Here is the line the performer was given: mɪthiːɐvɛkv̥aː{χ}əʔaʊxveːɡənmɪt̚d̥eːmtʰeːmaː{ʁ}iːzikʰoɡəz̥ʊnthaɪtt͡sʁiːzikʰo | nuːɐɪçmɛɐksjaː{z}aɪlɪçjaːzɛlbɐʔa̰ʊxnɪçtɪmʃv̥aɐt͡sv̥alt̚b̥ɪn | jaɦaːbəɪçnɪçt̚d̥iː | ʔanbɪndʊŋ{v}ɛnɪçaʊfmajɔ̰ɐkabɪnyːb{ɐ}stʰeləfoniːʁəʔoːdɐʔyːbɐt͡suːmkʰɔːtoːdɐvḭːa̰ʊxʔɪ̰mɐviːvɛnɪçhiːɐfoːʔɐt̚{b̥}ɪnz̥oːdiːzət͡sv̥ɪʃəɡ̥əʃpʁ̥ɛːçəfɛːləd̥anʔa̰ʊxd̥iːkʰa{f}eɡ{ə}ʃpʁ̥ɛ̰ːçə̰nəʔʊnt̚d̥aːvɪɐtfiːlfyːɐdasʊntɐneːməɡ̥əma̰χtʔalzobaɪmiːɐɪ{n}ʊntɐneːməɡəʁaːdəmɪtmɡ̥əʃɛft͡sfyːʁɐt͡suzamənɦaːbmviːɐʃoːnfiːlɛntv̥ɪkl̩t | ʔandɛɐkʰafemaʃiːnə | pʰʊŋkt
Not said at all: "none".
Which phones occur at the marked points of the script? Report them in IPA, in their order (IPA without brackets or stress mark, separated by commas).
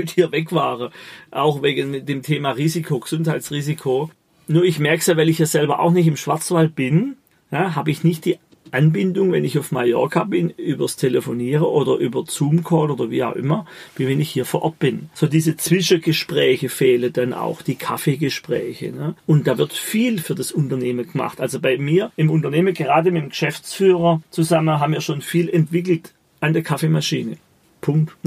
ʁ, ʁ, v, v, ɐ, b̥, f, ə, m